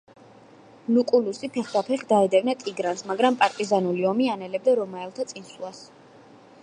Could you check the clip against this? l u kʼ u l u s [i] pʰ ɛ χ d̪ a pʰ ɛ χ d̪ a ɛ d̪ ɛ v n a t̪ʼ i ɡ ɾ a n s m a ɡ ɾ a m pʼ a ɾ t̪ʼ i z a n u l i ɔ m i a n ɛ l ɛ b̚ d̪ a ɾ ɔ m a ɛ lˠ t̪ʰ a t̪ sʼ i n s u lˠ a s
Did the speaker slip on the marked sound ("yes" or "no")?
no